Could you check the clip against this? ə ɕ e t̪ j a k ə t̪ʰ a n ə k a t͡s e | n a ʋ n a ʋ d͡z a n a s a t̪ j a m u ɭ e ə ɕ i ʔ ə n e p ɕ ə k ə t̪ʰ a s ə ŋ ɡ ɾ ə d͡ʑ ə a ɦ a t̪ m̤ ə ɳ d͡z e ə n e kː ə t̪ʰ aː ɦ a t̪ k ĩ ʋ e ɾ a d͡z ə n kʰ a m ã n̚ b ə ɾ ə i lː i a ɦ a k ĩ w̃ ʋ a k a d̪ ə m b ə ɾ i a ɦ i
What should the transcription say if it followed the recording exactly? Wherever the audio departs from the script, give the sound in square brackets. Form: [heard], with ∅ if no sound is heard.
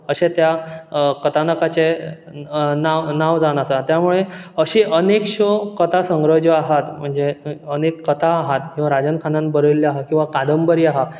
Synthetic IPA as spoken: ə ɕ e t̪ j a k ə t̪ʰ a n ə k a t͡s e | n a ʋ n a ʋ d͡z a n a s a t̪ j a m u ɭ e ə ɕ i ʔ ə n e [k] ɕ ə k ə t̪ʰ a s ə ŋ ɡ ɾ ə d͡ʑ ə a ɦ a t̪ m̤ ə ɳ d͡z e ə n e kː ə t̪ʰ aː ɦ a t̪ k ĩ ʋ [a] ɾ a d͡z ə n kʰ a [n] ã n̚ b ə ɾ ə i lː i a ɦ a k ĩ w̃ ʋ a k a d̪ ə m b ə ɾ i a ɦ [a]